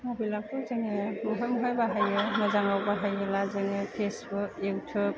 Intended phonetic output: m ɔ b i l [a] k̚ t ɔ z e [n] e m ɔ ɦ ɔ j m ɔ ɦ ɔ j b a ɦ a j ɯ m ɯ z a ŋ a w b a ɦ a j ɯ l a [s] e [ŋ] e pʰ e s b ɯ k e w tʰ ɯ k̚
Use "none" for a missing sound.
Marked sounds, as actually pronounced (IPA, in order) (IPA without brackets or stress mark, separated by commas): a, ŋ, z, ŋ